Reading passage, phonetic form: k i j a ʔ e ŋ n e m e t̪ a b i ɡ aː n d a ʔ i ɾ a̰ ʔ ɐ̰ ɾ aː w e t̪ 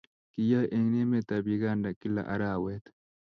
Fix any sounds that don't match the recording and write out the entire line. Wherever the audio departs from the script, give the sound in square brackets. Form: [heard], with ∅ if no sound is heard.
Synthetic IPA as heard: k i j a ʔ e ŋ n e m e t̪ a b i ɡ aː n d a [k] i [l] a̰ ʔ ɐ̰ ɾ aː w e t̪